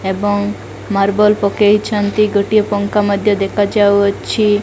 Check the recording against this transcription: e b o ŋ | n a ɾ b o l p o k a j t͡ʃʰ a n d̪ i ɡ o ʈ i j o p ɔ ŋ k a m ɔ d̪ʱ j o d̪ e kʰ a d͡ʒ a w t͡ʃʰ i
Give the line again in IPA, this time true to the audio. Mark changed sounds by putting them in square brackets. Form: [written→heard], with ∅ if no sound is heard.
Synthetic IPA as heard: e b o ŋ | [n→m] a ɾ b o l p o k [a→e] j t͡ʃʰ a n [d̪→t̪] i ɡ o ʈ i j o p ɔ ŋ k a m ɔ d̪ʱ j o d̪ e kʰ a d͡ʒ a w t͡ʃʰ i